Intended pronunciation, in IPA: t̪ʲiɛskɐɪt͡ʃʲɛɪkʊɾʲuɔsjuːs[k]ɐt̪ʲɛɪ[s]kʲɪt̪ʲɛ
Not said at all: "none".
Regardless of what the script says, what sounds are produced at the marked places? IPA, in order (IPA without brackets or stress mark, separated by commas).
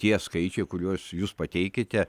p, none